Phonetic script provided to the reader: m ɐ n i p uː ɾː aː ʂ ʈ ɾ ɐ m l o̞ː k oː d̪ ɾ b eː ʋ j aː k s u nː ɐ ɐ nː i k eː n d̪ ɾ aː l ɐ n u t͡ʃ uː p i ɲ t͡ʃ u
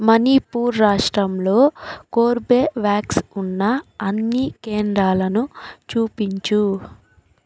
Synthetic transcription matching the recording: m ɐ n i p uː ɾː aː ʂ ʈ ɾ ɐ m l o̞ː k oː ɾ b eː ʋ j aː k s u nː ɐ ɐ nː i k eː n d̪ ɾ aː l ɐ n u t͡ʃ uː p i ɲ t͡ʃ u